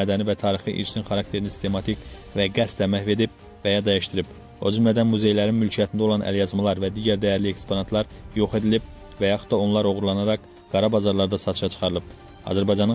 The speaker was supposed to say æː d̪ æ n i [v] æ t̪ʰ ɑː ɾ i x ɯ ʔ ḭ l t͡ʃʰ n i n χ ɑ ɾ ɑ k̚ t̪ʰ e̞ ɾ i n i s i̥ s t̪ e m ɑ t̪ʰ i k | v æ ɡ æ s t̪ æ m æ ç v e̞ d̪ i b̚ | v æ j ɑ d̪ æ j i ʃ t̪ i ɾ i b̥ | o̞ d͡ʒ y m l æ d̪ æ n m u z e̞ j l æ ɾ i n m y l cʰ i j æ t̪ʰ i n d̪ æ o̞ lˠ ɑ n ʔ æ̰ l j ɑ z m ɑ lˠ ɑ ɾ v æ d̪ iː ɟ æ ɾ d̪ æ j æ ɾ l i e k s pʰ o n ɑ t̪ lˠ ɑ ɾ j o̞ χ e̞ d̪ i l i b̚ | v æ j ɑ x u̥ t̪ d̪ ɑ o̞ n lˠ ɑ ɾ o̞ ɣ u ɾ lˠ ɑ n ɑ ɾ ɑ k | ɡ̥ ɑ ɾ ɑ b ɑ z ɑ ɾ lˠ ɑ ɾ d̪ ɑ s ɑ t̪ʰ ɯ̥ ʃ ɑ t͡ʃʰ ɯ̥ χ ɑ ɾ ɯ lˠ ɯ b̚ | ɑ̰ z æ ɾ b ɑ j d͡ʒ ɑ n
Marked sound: correct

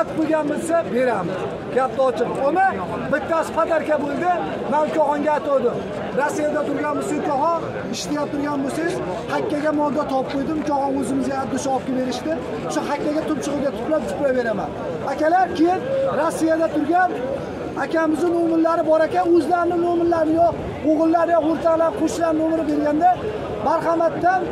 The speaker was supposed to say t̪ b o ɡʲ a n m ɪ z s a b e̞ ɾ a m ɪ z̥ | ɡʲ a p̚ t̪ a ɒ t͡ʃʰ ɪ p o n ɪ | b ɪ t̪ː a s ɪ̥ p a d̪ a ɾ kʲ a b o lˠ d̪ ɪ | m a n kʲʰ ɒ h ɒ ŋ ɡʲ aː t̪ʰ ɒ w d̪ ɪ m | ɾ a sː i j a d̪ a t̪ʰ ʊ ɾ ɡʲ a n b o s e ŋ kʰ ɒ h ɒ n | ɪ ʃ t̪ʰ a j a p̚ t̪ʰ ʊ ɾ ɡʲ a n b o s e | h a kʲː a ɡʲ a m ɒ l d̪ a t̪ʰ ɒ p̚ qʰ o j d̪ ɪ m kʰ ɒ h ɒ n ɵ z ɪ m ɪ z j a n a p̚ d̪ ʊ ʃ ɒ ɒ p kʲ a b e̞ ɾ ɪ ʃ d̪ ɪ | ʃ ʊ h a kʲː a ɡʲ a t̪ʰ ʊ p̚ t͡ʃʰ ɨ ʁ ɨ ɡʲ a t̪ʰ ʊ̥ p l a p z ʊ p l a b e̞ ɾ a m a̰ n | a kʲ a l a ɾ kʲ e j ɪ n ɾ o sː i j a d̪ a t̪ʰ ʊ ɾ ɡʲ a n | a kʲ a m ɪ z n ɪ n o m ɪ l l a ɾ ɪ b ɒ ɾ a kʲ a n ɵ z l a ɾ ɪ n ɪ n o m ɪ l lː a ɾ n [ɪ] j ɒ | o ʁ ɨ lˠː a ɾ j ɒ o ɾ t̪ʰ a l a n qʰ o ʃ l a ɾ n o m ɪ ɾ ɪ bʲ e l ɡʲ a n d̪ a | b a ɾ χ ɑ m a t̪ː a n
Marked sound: correct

